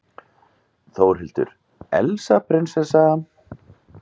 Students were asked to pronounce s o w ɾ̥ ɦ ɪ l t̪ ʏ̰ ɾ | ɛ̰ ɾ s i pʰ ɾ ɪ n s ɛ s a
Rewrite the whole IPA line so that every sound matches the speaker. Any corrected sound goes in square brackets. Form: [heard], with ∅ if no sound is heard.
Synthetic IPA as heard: [θ] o w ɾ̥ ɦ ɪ l t̪ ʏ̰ ɾ | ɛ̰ [l] s [a] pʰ ɾ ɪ n s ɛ s a